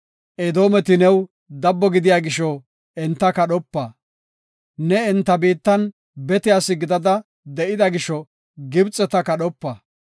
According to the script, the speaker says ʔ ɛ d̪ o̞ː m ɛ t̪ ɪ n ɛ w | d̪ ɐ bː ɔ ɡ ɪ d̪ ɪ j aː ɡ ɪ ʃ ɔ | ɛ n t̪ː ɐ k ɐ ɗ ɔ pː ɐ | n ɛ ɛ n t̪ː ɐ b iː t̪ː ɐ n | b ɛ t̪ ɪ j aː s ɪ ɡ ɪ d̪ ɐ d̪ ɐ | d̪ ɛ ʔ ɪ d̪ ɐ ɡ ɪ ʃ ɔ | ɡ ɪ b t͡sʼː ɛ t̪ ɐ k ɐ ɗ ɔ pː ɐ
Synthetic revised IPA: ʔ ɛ d̪ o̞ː m ɛ t̪ ɪ n ɛ w | d̪ ɐ bː ɔ ɡ ɪ d̪ ɪ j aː ɡ ɪ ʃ ɔ | ɛ n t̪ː ɐ k ɐ ɗ ɔ pː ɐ | n ɛ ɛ n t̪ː ɐ b iː t̪ː ɐ n | b ɛ t̪ ɪ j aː s ɪ ɡ ɪ d̪ ɐ d̪ ɐ | d̪ ɛ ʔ ɪ d̪ ɐ ɡ ɪ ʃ ɔ | ɡ ɪ b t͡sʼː ɛ t̪ ɐ k ɐ ɗ ɔ pː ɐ